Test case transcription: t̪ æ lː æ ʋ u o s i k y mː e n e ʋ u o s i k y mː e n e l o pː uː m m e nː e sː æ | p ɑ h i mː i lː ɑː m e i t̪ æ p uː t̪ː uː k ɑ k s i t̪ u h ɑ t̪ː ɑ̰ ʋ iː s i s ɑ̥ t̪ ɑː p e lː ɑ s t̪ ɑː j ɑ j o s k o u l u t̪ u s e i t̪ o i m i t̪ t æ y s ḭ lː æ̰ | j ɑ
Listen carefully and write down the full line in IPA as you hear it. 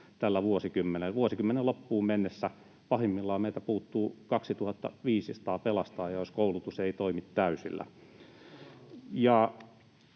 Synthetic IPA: t̪ æ lː æ ʋ u o s i k y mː e n e ʋ u o s i k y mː e n e l o pː uː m m e nː e sː æ | p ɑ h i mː i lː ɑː m e i t̪ æ p uː t̪ː uː k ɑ k s i t̪ u h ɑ t̪ː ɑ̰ ʋ iː s i s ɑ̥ t̪ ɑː p e l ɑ s t̪ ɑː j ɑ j o s k o u l u t̪ u s e i t̪ o i m i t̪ t æ y s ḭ lː æ̰ | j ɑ